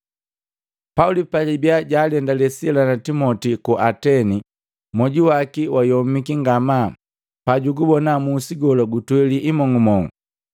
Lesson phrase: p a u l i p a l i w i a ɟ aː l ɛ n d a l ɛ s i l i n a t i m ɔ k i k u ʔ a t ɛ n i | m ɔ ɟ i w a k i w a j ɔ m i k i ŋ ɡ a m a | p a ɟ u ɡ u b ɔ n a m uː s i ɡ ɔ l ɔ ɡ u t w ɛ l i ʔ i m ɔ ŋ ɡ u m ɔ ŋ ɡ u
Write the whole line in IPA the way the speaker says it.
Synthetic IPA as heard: p a u l i p a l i b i a ɟ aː l ɛ n d a l ɛ s i l a n a t i m ɔ t i k u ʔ a t ɛ n i | m ɔ ɟ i w a k i w a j ɔ m i k i ŋ ɡ a m a | p a ɟ u ɡ u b ɔ n a m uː s i ɡ ɔ l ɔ ɡ u t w ɛ l i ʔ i m ɔ ŋ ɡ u m ɔ ŋ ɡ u